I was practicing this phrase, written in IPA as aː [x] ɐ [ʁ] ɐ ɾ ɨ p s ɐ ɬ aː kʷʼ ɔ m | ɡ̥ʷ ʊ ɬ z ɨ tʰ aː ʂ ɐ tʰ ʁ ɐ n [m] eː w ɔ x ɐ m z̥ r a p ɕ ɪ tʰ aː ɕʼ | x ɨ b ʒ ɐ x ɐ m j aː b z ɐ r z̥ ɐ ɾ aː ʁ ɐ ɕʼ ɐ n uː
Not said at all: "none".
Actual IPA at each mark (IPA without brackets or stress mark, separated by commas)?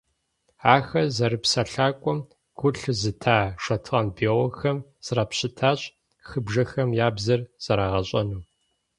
x, z, b